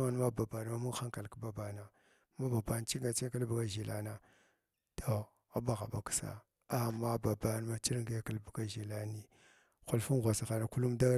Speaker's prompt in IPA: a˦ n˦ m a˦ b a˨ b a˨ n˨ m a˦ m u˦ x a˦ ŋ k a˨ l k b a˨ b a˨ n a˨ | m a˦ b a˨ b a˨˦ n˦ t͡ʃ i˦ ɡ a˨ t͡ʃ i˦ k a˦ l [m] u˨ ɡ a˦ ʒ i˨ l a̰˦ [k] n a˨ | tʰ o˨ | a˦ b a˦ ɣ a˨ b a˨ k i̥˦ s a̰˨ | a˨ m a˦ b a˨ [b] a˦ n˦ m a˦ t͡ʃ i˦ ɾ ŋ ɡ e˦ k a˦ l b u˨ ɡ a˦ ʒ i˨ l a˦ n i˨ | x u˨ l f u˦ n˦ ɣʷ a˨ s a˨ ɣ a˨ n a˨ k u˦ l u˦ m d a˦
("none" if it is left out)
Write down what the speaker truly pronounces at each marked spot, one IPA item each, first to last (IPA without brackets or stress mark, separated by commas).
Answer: b, none, b